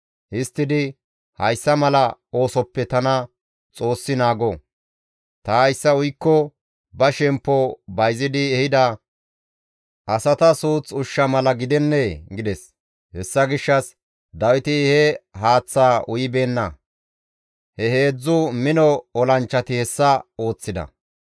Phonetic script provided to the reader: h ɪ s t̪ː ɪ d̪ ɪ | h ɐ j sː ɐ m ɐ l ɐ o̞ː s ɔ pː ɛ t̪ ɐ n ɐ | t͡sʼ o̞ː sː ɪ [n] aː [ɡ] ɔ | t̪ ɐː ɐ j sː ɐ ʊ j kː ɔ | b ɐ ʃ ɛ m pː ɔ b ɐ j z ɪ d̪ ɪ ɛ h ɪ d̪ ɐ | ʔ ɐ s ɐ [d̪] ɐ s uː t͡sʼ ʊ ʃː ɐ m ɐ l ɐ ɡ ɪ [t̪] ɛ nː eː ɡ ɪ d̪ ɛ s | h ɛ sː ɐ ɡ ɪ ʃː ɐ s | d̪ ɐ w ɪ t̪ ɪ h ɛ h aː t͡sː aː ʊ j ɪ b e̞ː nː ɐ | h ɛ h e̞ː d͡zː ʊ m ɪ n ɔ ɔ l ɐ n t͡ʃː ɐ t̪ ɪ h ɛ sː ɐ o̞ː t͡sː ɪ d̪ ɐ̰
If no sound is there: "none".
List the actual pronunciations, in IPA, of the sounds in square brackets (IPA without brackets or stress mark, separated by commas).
n, ɡ, t̪, d̪